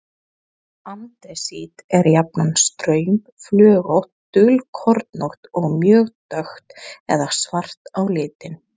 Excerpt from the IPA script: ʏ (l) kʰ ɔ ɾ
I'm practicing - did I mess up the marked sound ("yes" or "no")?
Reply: no